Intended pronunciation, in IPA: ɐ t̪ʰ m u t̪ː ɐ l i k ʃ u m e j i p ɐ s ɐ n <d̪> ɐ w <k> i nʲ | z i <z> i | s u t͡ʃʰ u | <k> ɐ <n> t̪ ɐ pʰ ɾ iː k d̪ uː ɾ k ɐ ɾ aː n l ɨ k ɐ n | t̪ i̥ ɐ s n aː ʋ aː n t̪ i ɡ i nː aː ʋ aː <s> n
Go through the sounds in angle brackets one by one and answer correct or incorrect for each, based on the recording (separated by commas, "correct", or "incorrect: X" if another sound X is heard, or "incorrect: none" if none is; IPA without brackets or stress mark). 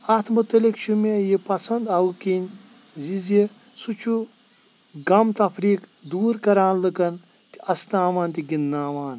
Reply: correct, correct, correct, incorrect: ɡ, incorrect: m, incorrect: none